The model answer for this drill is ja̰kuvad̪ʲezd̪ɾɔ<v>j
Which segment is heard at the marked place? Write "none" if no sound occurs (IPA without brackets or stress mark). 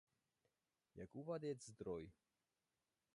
none